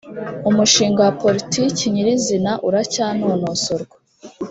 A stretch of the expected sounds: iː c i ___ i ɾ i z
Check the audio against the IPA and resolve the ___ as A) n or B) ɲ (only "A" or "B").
B